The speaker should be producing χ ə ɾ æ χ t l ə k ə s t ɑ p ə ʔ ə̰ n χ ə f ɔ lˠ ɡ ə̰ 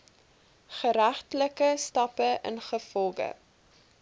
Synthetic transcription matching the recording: χ ə ɾ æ χ t l ə k ə s t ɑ p ə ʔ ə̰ n χ ə f ɔ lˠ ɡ ə̰